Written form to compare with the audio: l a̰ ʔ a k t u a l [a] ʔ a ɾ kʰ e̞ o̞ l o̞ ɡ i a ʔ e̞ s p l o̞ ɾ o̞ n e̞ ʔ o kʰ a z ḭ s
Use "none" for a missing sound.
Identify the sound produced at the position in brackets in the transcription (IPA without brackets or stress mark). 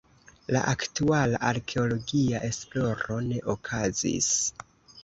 a